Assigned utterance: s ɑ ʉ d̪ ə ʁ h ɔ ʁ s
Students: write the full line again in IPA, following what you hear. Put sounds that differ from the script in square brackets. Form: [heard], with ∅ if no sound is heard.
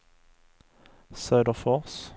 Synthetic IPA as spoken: s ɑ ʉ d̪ ə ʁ [f] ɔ ʁ s